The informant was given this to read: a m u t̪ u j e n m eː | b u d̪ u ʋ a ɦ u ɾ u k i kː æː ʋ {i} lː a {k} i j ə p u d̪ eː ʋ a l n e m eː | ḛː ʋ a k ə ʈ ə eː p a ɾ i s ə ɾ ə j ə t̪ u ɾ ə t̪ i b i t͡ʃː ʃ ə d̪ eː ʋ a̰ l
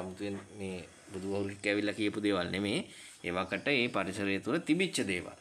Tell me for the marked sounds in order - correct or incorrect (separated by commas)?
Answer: correct, correct